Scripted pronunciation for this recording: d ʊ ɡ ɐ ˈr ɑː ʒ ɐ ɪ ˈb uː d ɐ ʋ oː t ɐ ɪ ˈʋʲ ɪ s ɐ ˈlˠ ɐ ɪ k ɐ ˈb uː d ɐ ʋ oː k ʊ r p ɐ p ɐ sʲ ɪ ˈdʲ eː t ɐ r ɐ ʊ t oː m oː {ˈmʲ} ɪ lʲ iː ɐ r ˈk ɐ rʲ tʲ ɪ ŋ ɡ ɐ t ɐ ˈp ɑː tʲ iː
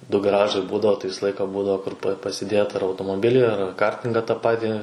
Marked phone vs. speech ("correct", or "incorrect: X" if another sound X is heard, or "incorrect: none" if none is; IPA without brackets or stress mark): incorrect: bʲ